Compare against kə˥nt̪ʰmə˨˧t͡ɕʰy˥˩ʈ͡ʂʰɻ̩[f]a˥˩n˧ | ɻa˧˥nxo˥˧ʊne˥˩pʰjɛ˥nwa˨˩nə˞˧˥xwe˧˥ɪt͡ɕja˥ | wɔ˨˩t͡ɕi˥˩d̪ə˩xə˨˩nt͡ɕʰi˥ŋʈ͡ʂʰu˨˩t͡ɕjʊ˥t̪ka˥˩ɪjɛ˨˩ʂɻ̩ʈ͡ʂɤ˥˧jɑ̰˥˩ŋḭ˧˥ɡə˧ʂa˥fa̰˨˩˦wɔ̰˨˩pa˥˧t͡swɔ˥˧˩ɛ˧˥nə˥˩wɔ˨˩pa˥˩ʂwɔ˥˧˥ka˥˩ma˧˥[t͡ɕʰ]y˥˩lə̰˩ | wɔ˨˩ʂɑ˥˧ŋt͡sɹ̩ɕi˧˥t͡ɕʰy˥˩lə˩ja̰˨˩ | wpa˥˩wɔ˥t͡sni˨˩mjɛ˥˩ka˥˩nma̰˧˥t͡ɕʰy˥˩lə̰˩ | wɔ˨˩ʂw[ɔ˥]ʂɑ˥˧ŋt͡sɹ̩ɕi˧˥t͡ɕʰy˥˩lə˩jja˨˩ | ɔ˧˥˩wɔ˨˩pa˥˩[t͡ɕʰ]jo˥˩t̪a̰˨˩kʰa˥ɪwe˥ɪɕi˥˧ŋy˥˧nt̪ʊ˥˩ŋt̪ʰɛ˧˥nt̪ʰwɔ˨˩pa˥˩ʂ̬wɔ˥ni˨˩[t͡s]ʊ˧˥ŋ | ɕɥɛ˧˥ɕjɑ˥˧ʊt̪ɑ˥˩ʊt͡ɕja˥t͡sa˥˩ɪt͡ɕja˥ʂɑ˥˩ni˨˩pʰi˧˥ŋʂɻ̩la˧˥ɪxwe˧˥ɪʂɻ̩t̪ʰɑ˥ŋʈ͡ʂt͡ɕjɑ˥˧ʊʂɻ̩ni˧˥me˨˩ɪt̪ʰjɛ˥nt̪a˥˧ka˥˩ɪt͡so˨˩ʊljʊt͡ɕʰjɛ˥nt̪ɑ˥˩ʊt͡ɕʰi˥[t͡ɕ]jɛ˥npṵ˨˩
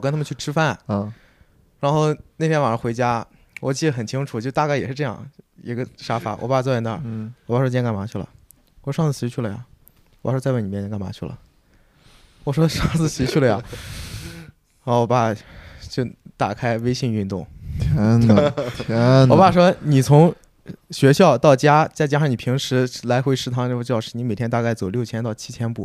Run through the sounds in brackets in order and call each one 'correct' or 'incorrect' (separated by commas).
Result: correct, correct, correct, incorrect, incorrect, incorrect